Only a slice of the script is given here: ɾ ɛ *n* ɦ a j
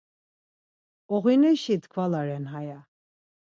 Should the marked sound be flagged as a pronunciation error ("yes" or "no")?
no